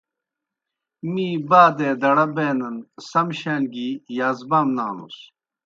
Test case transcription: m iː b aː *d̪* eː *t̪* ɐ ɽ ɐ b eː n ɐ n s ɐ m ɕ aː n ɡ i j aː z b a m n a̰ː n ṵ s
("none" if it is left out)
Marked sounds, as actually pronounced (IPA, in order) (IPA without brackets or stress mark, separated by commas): d̪, d̪